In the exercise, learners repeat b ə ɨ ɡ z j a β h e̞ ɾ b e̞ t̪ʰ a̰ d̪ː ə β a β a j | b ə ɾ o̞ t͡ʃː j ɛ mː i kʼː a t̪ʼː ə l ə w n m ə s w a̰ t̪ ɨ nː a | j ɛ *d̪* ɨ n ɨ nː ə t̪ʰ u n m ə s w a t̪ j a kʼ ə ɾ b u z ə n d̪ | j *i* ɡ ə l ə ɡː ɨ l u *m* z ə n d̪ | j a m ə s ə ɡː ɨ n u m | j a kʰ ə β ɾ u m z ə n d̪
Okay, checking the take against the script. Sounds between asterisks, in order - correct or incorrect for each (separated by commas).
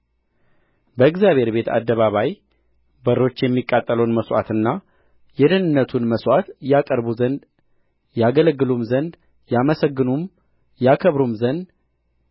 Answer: correct, incorrect, correct